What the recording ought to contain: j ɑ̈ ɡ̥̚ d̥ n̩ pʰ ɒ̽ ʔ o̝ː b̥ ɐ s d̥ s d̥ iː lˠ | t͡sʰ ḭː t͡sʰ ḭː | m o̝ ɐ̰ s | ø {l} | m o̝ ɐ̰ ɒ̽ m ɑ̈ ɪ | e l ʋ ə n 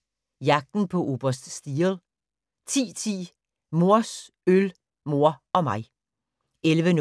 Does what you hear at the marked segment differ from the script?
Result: no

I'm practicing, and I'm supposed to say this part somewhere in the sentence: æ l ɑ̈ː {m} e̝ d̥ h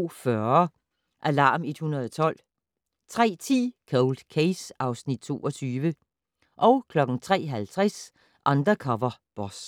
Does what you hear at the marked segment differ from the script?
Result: no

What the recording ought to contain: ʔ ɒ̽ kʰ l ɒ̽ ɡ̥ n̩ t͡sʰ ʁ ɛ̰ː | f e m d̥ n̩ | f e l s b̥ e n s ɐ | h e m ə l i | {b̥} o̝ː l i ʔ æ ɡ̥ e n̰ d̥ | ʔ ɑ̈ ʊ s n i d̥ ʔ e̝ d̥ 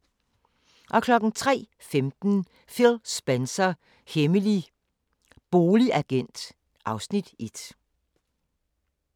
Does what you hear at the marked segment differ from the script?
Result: no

